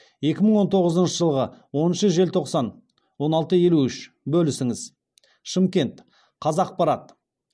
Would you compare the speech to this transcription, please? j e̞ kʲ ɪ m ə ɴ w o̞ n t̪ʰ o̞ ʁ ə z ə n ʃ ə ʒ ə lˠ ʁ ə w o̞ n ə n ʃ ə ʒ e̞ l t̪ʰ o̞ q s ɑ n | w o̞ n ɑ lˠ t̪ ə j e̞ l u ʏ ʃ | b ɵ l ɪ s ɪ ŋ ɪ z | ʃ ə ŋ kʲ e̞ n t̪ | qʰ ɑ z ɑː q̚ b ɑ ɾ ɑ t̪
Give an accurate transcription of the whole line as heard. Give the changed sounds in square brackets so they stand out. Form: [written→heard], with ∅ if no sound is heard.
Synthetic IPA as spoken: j e̞ kʲ ɪ m ə ɴ w o̞ n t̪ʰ o̞ ʁ ə z ə n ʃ ə ʒ ə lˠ ʁ ə w o̞ n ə n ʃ ə ʒ e̞ l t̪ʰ o̞ q s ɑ n | w o̞ n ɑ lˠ t̪ ə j e̞ l u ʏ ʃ | b ɵ l ɪ s ɪ ŋ ɪ z | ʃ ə [ŋ→m] kʲ e̞ n t̪ | qʰ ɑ z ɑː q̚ [b→p] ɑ ɾ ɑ t̪